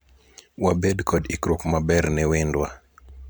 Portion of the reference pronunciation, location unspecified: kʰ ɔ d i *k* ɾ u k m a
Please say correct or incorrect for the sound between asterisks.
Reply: correct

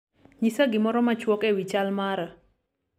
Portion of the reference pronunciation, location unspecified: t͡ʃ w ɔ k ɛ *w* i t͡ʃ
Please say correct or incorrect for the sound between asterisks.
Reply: correct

